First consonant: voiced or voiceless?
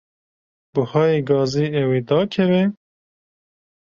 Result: voiced